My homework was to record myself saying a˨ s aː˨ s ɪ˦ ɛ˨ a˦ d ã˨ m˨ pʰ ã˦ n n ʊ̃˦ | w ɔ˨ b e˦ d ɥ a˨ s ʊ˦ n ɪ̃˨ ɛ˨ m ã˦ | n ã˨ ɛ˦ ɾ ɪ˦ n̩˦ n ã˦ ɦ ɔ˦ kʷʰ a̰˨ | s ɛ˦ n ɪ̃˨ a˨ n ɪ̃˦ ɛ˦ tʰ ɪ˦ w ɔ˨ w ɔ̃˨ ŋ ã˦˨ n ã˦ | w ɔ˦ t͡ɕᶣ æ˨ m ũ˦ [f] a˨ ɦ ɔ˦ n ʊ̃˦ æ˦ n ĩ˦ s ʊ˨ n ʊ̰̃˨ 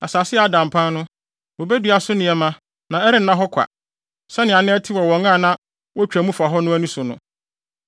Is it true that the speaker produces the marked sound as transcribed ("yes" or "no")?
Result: yes